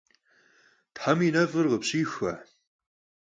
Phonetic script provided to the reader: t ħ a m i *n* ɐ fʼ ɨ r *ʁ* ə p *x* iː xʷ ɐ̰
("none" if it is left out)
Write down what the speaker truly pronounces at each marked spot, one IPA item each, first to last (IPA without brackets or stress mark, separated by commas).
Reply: n, ʁ, ɕ